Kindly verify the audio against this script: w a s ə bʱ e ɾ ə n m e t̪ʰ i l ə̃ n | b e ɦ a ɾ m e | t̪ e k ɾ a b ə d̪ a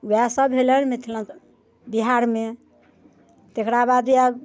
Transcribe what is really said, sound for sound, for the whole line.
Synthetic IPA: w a s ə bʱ e l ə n m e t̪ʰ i l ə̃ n | b i ɦ a ɾ m e | t̪ e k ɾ a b a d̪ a